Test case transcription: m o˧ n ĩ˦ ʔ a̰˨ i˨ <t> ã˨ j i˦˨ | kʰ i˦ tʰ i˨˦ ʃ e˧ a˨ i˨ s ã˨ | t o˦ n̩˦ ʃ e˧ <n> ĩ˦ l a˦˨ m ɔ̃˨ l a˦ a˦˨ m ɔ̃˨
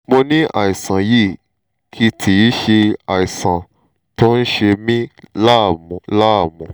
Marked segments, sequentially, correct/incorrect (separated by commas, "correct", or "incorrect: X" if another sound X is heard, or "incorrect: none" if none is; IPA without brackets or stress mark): incorrect: s, incorrect: m